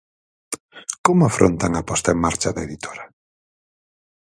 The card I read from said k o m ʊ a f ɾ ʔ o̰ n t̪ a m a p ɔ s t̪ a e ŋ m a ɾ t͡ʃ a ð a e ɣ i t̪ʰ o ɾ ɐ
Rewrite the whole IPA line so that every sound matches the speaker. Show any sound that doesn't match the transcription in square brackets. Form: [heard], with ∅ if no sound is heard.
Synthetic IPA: k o m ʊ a f ɾ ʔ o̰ n t̪ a [ŋ] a p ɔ s t̪ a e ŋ m a ɾ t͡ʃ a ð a e [ð] i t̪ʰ o ɾ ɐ